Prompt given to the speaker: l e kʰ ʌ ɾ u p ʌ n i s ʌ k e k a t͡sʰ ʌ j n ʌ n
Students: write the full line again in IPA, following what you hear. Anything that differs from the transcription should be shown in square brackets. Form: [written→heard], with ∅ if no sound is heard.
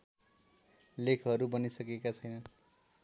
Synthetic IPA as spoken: l e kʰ ʌ ɾ u [p→b] ʌ n i s ʌ k e k a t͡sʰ ʌ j n ʌ n

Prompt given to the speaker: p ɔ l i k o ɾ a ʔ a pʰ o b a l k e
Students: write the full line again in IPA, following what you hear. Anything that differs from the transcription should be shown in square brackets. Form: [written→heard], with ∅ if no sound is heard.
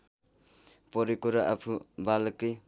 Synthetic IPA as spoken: p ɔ [l→ɾ] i k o ɾ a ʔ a pʰ [o→u] b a l k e

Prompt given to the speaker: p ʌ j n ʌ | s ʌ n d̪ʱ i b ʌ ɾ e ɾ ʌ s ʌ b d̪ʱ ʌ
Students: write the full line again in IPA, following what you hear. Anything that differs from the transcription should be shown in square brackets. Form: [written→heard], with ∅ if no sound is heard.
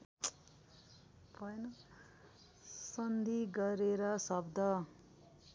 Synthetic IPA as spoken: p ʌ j n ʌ | s ʌ n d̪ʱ i [b→ɡ] ʌ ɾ e ɾ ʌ s ʌ b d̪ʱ ʌ

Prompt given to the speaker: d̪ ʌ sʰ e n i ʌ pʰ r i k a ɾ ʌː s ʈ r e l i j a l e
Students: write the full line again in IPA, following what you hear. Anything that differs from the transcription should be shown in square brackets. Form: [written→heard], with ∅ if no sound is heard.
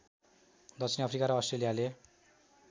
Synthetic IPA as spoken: d̪ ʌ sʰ [e→i] n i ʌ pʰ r i k a ɾ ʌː s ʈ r e l i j a l e

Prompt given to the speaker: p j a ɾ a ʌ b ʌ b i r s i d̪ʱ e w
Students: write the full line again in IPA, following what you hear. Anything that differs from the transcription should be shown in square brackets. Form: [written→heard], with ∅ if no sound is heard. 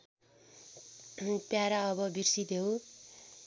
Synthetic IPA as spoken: p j a ɾ a ʌ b ʌ b i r s i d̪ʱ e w

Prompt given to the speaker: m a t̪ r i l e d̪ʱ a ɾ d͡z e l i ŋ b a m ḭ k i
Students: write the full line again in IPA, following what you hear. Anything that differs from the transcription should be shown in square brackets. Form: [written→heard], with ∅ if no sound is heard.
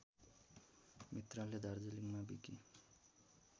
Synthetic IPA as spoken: m [a→i] t̪ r [i→a] l e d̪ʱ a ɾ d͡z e l i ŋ [b→m] a [m→b] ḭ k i

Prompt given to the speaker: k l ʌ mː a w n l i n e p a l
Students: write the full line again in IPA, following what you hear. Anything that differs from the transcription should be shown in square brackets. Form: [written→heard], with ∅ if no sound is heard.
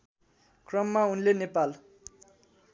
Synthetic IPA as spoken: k [l→r] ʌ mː a [w→u] n l [i→e] n e p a l

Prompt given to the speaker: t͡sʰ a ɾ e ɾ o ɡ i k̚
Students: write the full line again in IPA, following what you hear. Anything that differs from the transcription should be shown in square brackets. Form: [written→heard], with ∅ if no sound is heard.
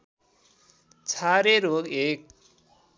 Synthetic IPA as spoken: t͡sʰ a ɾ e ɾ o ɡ [i→e] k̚

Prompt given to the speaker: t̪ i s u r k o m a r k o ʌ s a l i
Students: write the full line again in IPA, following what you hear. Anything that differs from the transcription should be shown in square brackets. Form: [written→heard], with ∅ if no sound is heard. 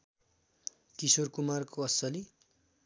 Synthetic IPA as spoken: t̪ i s [u→o] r k [o→u] m a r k o ʌ s [a→ʌ] l i

